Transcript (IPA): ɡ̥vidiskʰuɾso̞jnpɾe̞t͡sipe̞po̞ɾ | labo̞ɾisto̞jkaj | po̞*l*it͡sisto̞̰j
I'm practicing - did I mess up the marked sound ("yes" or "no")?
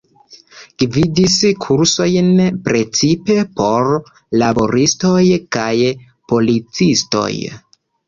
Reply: no